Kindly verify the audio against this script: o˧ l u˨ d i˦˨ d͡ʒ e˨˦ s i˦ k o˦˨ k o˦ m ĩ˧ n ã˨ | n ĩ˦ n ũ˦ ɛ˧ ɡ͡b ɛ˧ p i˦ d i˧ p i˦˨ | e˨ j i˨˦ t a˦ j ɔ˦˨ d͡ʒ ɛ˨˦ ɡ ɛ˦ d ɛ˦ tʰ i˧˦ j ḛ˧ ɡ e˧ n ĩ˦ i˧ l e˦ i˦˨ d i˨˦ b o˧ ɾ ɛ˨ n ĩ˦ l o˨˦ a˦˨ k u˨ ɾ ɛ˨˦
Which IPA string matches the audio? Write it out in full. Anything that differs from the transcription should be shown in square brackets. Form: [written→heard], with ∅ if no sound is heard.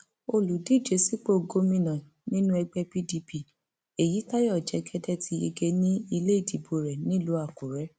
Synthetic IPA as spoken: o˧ l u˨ d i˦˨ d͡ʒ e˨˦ s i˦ [k→k͡p] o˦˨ [k→ɡ] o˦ m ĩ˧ n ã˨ | n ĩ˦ n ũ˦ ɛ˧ ɡ͡b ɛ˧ p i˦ d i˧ p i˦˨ | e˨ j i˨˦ t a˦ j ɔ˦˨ d͡ʒ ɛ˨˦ ɡ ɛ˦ d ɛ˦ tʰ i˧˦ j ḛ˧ ɡ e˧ n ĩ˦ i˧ l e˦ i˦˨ d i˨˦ b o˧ ɾ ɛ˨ n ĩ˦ l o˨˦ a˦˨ k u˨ ɾ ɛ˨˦